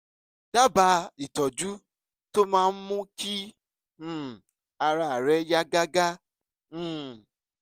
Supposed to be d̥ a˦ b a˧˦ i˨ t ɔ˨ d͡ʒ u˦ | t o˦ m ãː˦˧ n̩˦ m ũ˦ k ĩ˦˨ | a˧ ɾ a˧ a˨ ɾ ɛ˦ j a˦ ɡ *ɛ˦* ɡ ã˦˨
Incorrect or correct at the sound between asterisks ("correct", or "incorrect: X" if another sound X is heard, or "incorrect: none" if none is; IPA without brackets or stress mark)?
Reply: incorrect: a˦